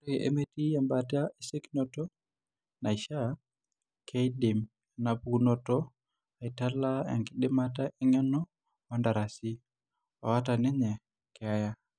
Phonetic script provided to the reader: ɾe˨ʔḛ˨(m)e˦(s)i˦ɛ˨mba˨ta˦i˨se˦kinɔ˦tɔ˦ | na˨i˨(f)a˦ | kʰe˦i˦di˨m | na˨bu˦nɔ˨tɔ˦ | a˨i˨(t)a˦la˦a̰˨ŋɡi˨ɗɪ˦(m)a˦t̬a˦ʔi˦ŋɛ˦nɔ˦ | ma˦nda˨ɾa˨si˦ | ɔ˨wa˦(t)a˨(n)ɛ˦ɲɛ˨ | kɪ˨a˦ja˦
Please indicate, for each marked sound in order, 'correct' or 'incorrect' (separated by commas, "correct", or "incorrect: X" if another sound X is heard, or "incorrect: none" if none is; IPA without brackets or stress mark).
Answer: correct, incorrect: t, incorrect: ʃ, correct, correct, correct, correct